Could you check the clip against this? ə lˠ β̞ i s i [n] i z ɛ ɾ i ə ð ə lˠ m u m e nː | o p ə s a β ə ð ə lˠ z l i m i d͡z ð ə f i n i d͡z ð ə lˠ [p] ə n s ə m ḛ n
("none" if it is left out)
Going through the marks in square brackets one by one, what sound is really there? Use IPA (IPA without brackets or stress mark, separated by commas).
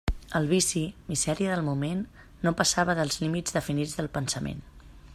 m, p